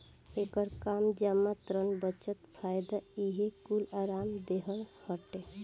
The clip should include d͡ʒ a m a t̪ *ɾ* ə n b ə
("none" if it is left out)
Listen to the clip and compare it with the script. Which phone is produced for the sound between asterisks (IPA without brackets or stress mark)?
ɾ